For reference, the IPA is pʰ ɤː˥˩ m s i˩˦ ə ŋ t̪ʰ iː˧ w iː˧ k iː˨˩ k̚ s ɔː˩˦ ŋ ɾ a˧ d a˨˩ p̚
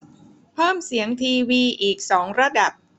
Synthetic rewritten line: pʰ ɤː˥˩ m s i˩˦ ə ŋ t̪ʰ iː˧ w iː˧ ʔ iː˨˩ k̚ s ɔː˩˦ ŋ ɾ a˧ d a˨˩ p̚